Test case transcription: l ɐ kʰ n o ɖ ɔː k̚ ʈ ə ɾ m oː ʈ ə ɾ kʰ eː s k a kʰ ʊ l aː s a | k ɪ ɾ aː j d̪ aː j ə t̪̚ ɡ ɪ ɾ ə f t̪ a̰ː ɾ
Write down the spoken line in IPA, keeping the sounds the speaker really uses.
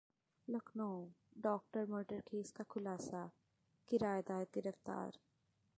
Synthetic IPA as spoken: l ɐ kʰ n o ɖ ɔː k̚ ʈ ə ɾ m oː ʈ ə ɾ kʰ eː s k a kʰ ʊ l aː s a | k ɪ ɾ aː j d̪ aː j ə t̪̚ ɡ ɪ ɾ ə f t̪ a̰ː ɾ